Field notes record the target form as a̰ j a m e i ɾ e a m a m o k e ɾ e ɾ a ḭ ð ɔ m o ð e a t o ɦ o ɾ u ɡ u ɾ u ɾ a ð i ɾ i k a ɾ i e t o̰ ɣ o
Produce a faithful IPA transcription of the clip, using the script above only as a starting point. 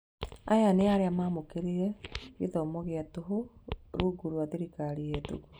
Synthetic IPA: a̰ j a n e a ɾ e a m a m o k e ɾ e ɾ ɛ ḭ ð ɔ m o ɣ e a t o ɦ o ɾ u ɡ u ɾ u a ð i ɾ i k a ɾ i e t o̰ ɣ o